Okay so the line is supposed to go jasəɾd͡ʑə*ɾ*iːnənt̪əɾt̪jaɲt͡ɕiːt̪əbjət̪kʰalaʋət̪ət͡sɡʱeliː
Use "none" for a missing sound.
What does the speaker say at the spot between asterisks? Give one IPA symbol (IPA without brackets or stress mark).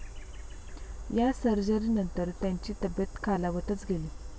ɾ